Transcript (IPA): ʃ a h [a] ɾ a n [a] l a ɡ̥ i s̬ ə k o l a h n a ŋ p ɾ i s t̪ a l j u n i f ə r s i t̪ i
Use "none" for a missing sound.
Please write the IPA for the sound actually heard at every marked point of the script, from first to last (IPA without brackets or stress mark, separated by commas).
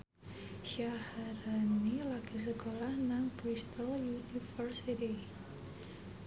a, i